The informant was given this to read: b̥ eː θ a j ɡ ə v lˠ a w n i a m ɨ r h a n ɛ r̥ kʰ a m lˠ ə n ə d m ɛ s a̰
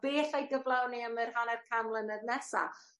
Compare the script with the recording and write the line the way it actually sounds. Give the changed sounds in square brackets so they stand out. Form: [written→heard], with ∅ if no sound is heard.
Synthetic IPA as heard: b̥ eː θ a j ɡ ə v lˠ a w n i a m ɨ r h a n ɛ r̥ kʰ a m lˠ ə n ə d [m→n] ɛ s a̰